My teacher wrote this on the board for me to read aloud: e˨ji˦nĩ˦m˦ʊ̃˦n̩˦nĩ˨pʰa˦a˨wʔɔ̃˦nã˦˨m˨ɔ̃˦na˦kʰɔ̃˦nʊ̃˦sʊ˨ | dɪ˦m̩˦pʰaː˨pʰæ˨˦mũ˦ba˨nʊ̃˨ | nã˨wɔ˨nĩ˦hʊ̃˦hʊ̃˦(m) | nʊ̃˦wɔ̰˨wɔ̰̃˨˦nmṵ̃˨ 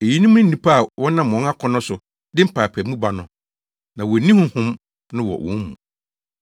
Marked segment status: correct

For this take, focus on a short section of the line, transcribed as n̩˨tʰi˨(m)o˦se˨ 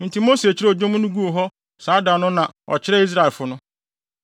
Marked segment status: correct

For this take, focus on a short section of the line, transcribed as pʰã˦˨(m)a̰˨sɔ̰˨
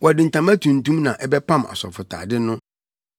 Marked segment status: correct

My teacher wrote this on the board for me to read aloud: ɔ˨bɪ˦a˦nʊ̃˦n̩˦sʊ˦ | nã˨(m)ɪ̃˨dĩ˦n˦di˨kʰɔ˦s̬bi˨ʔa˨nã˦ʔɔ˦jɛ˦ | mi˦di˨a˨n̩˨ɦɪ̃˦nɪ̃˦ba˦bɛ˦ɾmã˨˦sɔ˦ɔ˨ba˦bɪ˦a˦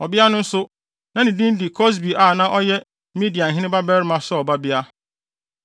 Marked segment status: incorrect: n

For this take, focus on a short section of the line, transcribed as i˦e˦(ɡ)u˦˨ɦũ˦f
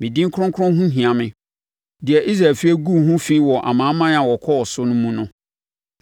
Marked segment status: correct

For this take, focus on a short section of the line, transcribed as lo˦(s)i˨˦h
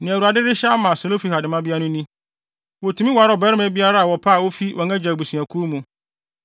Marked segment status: incorrect: f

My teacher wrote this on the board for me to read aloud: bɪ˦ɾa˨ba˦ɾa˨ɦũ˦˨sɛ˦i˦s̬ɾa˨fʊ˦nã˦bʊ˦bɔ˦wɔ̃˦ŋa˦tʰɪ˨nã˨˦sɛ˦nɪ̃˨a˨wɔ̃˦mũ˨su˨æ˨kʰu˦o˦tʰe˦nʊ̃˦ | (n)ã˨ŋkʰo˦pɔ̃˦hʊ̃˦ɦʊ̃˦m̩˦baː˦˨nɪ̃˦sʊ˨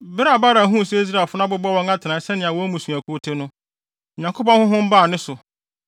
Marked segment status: incorrect: ɲ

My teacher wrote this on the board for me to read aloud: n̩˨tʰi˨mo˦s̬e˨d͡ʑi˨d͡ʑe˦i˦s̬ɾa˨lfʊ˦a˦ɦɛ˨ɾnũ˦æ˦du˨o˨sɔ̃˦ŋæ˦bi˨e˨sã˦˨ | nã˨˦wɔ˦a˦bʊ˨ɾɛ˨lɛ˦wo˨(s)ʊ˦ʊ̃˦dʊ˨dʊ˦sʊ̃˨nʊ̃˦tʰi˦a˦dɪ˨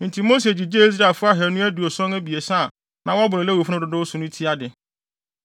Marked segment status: incorrect: f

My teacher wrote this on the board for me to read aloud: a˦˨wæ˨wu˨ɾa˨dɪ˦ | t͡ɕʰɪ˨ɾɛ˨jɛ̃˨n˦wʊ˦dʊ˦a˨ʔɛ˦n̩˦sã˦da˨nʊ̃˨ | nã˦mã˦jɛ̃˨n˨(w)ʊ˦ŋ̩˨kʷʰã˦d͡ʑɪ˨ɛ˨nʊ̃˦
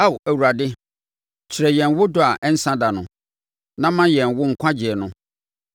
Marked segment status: correct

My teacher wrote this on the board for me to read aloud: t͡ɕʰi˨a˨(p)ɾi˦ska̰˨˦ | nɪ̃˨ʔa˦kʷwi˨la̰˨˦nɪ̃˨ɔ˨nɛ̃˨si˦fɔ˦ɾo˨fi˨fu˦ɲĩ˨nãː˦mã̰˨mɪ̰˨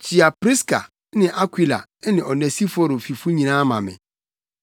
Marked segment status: correct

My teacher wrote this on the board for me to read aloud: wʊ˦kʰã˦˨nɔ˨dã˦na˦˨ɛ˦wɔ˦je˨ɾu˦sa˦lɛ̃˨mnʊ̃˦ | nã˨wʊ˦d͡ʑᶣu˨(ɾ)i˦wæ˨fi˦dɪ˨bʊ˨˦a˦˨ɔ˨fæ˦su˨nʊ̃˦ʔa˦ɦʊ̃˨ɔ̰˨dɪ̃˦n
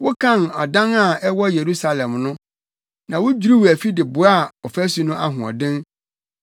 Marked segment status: correct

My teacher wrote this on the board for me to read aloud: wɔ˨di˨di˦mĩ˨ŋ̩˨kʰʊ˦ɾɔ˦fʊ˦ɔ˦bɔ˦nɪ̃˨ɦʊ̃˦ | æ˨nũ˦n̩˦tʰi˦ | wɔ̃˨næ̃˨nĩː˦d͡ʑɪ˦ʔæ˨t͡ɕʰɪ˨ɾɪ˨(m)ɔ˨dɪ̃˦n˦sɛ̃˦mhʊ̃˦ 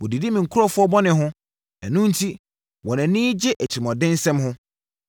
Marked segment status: correct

